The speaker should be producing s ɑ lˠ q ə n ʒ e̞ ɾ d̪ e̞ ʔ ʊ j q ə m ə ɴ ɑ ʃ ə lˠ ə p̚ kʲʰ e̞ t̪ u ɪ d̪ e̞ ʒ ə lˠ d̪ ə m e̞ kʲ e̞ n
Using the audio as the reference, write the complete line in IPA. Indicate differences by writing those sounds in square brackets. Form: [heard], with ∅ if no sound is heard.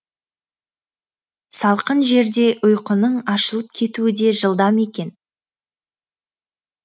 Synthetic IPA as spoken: s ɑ lˠ q ə n ʒ e̞ ɾ d̪ e̞ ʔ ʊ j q ə [n] ə ɴ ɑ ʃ ə lˠ ə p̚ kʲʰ e̞ t̪ u ɪ d̪ e̞ ʒ ə lˠ d̪ [ɑ] m e̞ kʲ e̞ n